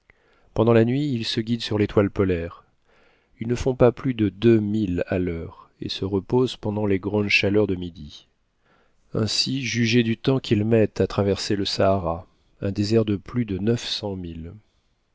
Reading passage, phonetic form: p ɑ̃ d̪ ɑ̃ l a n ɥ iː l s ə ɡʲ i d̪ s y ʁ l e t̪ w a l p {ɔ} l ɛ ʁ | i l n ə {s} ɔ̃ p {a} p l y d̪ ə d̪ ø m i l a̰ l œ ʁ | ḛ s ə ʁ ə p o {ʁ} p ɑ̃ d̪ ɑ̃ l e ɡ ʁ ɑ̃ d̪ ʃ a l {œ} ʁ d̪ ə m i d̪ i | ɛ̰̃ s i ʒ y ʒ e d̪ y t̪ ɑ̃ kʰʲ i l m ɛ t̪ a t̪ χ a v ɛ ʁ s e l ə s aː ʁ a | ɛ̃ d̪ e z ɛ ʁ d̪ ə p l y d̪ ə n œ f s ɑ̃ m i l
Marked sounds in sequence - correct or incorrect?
correct, incorrect: f, correct, incorrect: z, correct

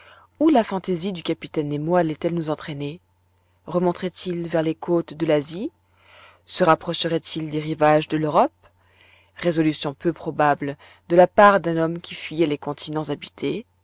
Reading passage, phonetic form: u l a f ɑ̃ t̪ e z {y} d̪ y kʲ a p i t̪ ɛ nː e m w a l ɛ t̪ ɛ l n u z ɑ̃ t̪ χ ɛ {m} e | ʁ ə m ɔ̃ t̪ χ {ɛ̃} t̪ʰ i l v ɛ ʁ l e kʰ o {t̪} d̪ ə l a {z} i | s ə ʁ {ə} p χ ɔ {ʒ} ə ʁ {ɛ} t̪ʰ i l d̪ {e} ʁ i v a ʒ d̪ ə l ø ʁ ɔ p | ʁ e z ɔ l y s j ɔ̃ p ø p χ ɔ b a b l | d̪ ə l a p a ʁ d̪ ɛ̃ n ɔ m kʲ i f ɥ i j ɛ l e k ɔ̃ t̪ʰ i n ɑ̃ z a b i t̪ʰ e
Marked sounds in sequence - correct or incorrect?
incorrect: i, incorrect: n, incorrect: ɛ, correct, correct, incorrect: a, incorrect: ʃ, correct, correct

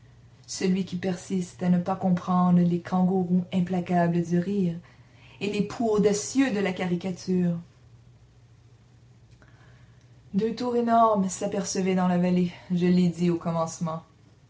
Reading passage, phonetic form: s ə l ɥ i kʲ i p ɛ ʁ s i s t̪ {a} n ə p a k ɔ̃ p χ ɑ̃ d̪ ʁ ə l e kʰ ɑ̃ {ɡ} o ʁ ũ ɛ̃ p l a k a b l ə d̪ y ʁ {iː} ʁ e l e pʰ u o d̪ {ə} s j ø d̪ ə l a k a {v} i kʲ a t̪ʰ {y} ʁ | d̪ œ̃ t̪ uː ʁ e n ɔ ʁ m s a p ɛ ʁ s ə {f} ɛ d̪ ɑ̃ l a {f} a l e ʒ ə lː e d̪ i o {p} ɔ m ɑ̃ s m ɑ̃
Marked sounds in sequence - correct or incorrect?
correct, correct, correct, incorrect: a, incorrect: ʁ, incorrect: yː, incorrect: v, incorrect: v, incorrect: k

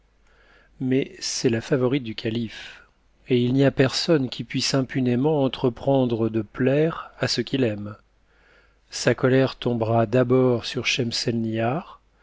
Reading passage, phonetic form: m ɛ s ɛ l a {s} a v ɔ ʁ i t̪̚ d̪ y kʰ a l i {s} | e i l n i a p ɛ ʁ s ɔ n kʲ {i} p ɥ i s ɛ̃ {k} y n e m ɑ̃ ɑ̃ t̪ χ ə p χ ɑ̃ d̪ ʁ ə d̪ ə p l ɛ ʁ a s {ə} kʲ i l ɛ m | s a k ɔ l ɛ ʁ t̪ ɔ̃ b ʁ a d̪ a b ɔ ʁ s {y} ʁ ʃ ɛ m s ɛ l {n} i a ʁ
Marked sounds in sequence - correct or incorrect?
incorrect: f, incorrect: f, correct, incorrect: p, correct, correct, correct

